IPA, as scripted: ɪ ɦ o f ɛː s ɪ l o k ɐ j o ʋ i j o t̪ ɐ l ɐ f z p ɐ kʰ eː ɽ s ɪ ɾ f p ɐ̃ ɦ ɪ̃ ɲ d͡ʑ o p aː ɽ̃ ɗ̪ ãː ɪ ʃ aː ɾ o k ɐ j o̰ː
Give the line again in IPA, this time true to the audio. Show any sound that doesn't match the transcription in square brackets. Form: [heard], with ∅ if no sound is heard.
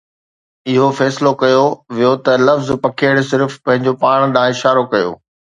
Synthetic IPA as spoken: ɪ ɦ o f ɛː s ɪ l o k ɐ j o ʋ i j o t̪ ɐ l ɐ f z p ɐ kʰ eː ɽ s ɪ ɾ f p ɐ̃ ɦ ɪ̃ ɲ d͡ʑ o p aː ɽ̃ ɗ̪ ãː ɪ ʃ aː ɾ o k ɐ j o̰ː